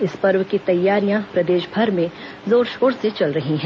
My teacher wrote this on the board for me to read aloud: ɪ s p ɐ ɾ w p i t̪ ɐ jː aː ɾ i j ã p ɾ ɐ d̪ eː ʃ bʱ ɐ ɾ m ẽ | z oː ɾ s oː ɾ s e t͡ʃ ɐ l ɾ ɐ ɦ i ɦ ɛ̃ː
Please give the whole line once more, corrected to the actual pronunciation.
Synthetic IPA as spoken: ɪ s p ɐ ɾ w k i t̪ ɐ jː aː ɾ i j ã p ɾ ɐ d̪ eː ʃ bʱ ɐ ɾ m ẽ | z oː ɾ ʃ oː ɾ s e t͡ʃ ɐ l ɾ ɐ ɦ i ɦ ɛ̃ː